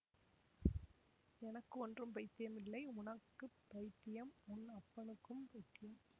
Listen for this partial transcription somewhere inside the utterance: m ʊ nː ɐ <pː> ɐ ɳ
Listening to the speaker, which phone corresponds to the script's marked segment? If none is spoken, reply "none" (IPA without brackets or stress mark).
pː